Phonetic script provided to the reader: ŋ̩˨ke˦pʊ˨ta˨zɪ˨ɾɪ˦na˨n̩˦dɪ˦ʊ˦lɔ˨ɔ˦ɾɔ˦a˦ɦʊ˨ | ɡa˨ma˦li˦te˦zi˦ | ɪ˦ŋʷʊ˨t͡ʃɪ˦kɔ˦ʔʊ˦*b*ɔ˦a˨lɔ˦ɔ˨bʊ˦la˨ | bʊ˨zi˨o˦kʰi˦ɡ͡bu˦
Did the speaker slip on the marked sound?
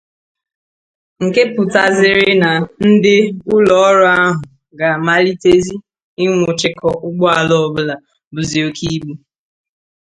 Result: yes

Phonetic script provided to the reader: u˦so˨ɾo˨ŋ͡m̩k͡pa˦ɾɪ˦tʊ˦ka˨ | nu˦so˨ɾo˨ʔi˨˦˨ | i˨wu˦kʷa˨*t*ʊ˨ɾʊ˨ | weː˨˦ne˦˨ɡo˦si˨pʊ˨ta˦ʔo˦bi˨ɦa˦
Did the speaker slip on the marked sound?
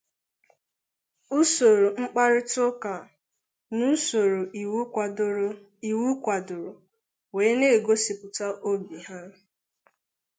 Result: yes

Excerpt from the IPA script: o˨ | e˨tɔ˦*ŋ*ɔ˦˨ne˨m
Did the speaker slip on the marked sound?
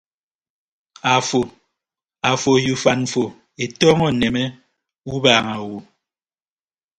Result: no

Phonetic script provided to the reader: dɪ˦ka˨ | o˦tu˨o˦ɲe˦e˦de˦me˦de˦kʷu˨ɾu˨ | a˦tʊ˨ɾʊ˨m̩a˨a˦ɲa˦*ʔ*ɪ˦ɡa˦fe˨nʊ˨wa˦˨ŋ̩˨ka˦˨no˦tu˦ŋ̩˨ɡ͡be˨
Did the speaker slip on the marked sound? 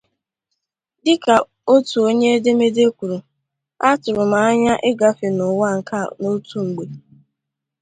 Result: no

